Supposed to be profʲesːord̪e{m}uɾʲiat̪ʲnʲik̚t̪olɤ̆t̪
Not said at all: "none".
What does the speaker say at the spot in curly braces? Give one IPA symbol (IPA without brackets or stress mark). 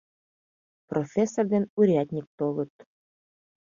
n